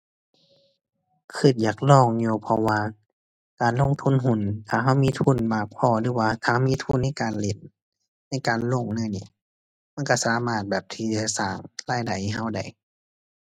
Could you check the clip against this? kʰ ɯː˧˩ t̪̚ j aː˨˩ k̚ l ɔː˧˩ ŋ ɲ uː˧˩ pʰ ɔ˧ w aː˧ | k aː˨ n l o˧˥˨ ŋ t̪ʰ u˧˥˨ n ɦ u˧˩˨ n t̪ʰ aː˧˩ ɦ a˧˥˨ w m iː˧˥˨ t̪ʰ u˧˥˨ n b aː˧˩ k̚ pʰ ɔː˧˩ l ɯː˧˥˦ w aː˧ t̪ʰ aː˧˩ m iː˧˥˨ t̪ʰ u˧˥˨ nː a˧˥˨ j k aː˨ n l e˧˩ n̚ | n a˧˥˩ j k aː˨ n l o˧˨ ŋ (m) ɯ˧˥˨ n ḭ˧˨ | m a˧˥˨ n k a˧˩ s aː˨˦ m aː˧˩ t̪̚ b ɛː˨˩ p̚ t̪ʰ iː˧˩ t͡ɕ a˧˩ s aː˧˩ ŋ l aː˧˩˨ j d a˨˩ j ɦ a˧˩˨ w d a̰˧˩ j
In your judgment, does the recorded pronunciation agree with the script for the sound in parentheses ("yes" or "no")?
no